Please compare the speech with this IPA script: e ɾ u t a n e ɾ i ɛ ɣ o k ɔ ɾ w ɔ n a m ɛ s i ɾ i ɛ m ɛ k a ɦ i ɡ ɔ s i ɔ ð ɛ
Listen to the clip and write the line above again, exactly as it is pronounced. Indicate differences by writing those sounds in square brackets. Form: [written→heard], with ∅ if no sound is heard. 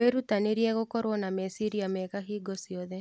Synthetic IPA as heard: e ɾ u t a n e ɾ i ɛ ɣ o k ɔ ɾ w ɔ n a m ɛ s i ɾ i [ɛ→a] m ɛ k a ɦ i ɡ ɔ s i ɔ ð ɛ